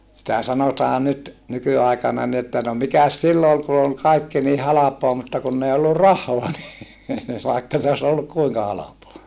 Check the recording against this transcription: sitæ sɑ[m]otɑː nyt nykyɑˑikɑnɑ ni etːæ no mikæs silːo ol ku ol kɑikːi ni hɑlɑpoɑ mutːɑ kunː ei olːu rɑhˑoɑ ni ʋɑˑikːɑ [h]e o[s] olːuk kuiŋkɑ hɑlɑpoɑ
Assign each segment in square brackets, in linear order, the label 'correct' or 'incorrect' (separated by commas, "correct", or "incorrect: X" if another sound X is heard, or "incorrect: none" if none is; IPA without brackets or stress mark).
incorrect: n, incorrect: s, correct